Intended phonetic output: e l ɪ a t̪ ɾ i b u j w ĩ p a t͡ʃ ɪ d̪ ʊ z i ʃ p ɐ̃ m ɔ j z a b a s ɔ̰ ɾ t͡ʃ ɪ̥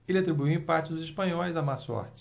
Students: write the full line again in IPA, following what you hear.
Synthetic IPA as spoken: e l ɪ a t̪ ɾ i b u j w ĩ p a t͡ʃ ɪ d̪ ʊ z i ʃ p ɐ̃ ɲ ɔ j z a m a s ɔ̰ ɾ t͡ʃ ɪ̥